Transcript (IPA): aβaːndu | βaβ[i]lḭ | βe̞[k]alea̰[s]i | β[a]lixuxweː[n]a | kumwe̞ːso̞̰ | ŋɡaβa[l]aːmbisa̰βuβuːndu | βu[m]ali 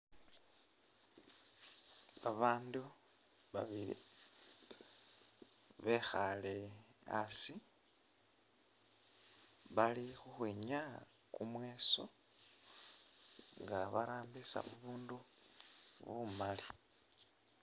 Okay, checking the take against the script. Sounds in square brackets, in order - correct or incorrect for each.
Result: correct, incorrect, correct, correct, incorrect, incorrect, correct

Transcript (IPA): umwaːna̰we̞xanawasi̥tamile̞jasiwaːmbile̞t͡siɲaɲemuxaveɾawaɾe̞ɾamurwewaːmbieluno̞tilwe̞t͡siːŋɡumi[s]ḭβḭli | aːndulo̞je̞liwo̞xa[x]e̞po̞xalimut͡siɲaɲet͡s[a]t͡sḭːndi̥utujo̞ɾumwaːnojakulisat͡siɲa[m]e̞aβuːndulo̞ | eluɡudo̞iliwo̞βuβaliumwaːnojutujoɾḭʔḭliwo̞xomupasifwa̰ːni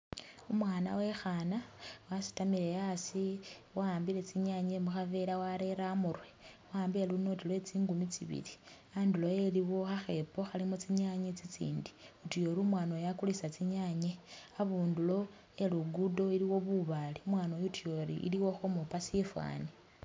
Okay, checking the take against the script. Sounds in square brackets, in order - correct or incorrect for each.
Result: incorrect, correct, incorrect, incorrect

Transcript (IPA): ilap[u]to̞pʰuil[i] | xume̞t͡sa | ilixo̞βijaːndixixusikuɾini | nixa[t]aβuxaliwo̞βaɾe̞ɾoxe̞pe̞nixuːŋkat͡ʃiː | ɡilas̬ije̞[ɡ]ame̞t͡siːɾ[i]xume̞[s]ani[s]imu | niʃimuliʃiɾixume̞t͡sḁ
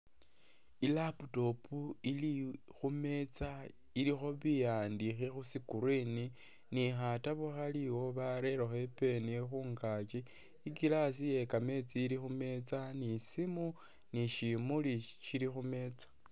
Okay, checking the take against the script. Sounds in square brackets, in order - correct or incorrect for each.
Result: correct, correct, correct, incorrect, correct, incorrect, correct

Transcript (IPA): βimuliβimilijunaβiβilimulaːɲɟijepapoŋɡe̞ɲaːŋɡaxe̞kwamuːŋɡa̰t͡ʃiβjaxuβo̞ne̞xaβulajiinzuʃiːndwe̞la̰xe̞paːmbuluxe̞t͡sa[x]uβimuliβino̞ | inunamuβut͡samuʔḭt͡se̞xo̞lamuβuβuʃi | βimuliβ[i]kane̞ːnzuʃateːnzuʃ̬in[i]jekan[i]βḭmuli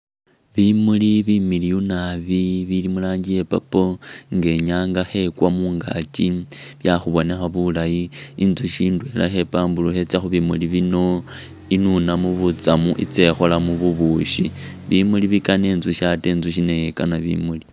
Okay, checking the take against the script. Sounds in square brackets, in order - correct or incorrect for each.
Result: correct, correct, incorrect, incorrect

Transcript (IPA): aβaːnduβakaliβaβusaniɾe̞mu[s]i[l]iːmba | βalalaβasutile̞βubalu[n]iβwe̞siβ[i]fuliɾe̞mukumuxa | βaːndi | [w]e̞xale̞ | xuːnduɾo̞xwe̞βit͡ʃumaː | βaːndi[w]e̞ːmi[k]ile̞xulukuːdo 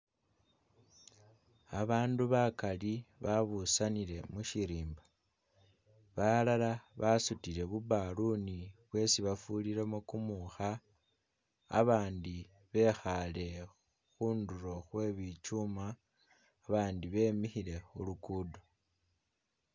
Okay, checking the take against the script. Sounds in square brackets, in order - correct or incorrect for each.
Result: incorrect, incorrect, correct, incorrect, incorrect, incorrect, incorrect

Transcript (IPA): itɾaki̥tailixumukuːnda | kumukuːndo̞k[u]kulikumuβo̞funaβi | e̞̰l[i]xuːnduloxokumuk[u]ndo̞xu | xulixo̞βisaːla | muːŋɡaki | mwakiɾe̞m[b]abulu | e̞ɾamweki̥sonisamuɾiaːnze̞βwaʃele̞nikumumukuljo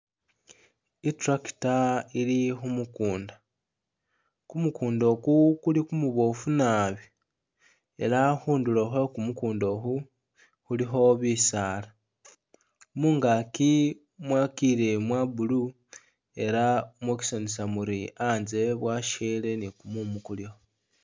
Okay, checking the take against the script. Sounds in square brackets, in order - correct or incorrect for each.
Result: correct, incorrect, incorrect, incorrect

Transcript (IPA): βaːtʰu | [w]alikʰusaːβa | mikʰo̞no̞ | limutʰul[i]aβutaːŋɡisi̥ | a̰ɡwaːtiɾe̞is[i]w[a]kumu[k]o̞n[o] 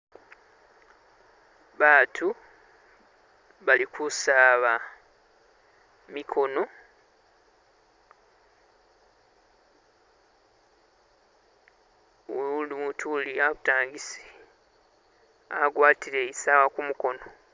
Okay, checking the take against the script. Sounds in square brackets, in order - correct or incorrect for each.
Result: incorrect, correct, incorrect, correct, correct, correct

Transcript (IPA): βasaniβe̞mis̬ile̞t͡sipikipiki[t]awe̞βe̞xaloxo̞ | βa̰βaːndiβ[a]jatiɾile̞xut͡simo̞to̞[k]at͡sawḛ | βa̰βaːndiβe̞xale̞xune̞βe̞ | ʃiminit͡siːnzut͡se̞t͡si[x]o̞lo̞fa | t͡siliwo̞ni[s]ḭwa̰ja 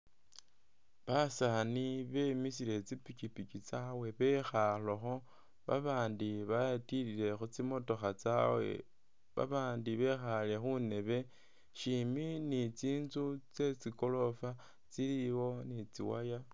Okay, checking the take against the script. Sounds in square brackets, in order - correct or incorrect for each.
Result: incorrect, correct, incorrect, incorrect, incorrect

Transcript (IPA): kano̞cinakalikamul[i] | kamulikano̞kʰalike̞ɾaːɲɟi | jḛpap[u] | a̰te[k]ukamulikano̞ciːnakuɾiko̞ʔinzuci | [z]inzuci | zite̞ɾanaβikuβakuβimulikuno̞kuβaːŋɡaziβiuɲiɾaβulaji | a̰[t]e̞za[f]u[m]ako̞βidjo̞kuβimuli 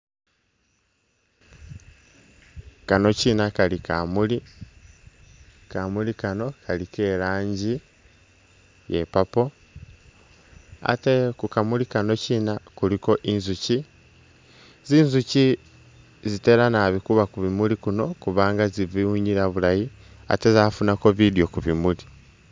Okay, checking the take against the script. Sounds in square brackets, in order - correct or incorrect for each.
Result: correct, incorrect, correct, correct, correct, correct, incorrect

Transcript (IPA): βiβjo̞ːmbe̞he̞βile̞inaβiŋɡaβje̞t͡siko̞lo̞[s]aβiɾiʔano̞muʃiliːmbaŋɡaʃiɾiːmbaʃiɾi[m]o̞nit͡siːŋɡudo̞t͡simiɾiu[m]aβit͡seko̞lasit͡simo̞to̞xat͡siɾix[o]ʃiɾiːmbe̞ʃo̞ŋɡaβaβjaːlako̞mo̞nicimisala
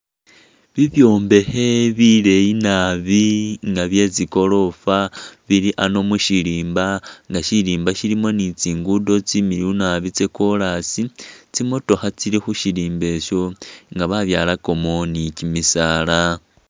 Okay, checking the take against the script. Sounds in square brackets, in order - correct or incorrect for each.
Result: incorrect, correct, incorrect, incorrect

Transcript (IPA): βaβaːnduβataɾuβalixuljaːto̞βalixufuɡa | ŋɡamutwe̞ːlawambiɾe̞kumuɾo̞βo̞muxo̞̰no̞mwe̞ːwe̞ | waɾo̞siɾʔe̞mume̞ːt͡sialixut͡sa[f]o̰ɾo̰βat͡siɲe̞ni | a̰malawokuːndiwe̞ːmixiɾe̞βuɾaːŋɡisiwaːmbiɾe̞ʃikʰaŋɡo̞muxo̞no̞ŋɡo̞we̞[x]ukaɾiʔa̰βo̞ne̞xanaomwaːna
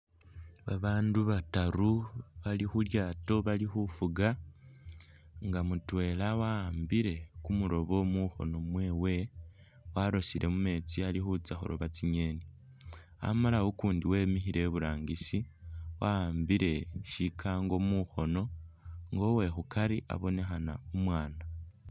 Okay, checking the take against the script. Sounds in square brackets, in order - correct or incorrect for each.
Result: incorrect, correct

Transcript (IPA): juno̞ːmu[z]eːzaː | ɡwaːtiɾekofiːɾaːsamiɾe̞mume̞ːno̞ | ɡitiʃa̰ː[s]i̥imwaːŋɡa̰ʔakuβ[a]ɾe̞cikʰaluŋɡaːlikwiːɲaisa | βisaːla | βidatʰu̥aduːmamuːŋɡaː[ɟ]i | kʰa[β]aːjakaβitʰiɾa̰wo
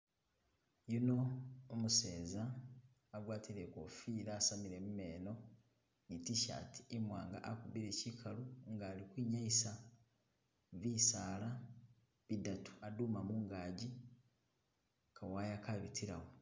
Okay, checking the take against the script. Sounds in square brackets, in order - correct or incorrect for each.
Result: incorrect, incorrect, incorrect, correct, incorrect

